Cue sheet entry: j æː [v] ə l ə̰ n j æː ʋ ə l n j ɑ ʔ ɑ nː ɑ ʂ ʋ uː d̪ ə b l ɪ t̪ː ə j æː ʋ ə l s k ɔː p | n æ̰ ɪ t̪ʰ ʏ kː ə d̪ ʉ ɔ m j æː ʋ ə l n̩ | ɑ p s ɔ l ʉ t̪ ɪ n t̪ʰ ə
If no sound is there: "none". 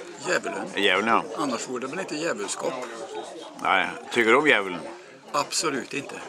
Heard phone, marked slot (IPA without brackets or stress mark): ʋ